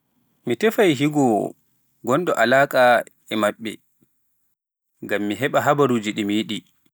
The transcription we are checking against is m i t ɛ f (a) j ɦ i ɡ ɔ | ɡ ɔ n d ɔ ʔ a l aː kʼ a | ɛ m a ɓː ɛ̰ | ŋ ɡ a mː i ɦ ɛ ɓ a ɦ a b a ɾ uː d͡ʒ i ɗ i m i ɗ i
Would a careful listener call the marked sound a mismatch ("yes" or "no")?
no